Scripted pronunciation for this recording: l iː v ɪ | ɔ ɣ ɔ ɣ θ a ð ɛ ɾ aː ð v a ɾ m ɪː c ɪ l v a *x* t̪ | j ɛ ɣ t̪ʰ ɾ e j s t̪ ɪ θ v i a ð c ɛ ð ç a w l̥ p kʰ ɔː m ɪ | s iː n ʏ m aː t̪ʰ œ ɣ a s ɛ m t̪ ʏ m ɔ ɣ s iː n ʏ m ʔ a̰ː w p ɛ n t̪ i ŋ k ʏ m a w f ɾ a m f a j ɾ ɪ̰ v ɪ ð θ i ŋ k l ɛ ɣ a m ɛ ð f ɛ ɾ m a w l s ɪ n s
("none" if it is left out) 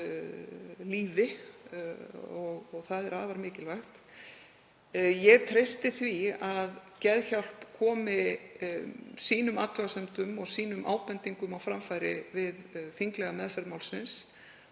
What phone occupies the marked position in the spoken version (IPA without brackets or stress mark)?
x